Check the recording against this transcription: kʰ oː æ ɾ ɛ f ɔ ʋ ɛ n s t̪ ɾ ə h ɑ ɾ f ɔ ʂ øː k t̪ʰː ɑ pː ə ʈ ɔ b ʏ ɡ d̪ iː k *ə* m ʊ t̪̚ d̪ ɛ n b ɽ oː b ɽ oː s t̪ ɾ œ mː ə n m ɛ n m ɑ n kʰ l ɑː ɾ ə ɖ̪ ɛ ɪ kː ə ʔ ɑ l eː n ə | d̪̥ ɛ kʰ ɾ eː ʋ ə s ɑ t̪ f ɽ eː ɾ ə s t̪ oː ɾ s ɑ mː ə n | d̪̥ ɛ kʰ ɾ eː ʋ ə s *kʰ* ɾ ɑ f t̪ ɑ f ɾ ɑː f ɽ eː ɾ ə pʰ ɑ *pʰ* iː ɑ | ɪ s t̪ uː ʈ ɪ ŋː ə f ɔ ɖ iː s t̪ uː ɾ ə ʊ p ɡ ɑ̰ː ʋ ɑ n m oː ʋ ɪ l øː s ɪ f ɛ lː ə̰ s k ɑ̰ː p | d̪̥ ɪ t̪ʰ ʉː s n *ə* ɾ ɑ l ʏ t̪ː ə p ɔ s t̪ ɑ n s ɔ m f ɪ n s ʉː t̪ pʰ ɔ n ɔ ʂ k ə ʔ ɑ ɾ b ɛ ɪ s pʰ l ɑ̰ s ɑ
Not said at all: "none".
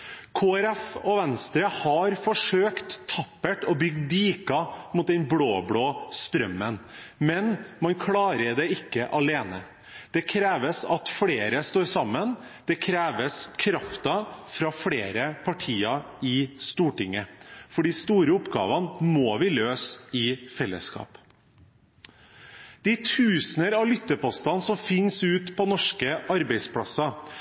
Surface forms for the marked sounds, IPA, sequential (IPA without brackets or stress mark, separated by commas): ɑ, kʰ, ʈʰ, ə